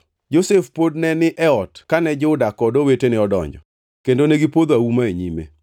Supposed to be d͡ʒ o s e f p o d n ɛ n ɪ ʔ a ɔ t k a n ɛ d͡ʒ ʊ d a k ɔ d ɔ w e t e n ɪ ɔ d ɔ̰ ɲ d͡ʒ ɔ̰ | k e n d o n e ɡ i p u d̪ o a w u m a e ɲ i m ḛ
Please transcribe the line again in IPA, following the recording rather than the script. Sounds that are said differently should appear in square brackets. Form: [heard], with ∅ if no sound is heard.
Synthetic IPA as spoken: d͡ʒ o s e f p o d n ɛ n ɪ ʔ [ɛ] ɔ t k a n ɛ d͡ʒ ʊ d a k ɔ d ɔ w e t e n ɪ ɔ d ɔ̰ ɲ d͡ʒ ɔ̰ | k e n d o n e ɡ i p [o] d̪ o a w u m a e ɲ i m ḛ